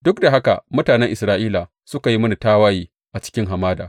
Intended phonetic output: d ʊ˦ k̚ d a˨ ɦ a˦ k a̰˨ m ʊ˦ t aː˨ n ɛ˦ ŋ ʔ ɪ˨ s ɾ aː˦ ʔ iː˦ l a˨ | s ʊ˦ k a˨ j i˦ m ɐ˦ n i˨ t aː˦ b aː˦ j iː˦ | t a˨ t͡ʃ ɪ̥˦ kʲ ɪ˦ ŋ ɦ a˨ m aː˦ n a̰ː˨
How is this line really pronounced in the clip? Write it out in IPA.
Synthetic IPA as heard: d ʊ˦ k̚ d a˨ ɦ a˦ k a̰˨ m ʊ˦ t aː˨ n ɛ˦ ŋ ʔ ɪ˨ s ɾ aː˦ ʔ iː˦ l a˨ | s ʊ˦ k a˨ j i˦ m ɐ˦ n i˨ t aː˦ w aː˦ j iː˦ | ʔ a˨ t͡ʃ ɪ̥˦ kʲ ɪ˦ ŋ ɦ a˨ m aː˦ d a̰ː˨